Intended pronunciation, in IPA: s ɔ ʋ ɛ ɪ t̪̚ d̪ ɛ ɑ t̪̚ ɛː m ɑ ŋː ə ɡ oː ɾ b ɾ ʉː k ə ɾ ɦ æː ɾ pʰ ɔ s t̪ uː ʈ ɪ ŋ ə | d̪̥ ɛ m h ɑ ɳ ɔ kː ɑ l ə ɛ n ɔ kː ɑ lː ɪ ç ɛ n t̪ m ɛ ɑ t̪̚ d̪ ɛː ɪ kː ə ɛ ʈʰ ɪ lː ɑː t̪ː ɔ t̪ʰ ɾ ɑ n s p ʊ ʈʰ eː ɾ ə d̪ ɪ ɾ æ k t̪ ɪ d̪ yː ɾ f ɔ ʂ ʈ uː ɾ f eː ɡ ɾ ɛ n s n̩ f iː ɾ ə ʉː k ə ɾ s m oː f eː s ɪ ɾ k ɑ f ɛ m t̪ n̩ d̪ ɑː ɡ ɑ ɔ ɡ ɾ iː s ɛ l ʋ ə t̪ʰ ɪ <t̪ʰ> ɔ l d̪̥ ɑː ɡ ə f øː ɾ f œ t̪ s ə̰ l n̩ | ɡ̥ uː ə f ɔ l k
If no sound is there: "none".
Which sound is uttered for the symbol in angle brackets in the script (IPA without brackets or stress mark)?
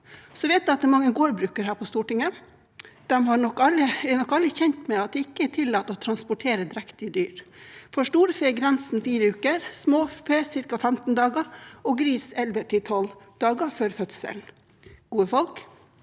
t̪ʰ